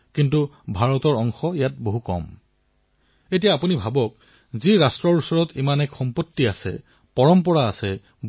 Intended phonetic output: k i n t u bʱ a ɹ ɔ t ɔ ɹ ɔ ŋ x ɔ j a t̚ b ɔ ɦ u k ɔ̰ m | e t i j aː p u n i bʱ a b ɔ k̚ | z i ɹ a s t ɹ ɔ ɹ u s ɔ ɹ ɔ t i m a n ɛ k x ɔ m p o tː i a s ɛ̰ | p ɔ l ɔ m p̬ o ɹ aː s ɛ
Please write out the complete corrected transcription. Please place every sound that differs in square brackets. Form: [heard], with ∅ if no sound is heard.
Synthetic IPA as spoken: k i n t u bʱ a ɹ ɔ t ɔ ɹ ɔ ŋ x ɔ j a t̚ b [o] ɦ u k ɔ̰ m | e t i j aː p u n i bʱ a b ɔ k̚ | z i ɹ a s t ɹ ɔ ɹ u s ɔ ɹ ɔ t i m a n ɛ k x ɔ m p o tː i a s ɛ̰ | p ɔ [ɹ] ɔ m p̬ [ɔ] ɹ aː s ɛ